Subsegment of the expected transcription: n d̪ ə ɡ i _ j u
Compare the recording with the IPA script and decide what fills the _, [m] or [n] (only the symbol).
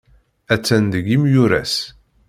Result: m